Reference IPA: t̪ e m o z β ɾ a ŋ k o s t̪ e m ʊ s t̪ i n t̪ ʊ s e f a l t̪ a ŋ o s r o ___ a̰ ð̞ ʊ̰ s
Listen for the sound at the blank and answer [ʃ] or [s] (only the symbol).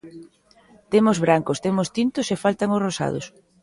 s